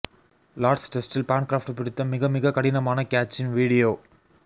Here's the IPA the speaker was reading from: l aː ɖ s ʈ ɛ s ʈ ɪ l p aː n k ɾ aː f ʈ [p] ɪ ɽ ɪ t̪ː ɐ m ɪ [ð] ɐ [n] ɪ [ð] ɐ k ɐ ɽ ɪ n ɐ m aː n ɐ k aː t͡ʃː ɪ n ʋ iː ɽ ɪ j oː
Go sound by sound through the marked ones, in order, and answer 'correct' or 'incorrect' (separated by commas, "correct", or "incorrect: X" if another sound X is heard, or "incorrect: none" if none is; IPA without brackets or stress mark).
correct, incorrect: ɣ, incorrect: m, incorrect: ɣ